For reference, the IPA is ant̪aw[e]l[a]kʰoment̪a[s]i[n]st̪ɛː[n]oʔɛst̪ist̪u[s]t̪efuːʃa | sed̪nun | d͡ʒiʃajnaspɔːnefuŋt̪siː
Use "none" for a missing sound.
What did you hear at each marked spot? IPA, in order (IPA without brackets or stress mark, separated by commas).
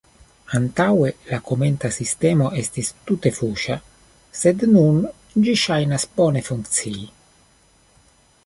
e, a, s, none, m, none